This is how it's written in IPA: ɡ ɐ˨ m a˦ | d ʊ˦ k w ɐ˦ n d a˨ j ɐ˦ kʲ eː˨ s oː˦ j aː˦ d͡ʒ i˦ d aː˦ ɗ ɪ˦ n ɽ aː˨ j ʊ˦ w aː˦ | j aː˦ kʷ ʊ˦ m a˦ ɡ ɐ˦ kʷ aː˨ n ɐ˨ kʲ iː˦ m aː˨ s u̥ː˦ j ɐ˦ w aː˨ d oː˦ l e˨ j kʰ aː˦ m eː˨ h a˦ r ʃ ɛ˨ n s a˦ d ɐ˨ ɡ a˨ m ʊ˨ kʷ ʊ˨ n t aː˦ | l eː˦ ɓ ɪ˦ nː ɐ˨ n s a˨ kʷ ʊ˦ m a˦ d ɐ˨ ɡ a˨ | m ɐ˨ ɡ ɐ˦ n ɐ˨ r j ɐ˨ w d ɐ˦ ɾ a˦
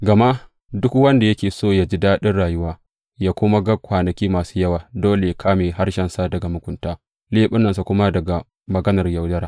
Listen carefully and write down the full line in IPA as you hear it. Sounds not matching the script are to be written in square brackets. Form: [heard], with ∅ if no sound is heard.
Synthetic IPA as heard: ɡ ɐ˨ m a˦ | d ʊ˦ k w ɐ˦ n d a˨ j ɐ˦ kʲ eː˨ s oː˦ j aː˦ d͡ʒ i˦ d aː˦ ɗ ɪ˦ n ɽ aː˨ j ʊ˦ w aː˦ | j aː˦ kʷ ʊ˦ m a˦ ɡ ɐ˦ kʷ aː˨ n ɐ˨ kʲ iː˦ m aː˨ s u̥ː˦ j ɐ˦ w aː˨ d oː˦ l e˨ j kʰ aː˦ m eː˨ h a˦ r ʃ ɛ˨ n s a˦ d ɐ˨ ɡ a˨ m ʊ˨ kʷ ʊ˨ n t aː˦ | l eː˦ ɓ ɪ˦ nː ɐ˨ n s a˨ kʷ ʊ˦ m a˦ d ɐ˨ ɡ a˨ | m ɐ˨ ɡ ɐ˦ n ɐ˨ r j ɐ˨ w d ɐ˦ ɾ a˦